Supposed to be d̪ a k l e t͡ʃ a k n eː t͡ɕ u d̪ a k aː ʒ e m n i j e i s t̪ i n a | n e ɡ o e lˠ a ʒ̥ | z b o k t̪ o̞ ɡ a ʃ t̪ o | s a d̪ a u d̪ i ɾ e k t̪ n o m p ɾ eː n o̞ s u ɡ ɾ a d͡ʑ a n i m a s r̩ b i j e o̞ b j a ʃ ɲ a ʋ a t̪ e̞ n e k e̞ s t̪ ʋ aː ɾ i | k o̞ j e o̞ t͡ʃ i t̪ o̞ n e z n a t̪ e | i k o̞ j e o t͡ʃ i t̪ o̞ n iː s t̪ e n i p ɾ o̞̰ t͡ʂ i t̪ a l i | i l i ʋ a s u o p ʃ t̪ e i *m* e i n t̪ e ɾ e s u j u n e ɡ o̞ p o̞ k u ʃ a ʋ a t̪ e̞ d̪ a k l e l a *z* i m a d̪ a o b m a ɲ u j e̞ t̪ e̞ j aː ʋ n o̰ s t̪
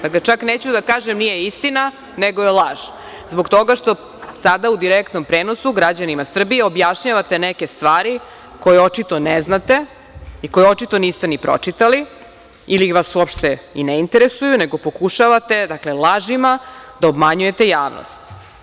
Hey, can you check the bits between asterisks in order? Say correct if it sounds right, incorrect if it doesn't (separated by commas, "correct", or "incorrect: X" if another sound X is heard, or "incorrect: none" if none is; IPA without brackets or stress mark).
incorrect: n, incorrect: ʒ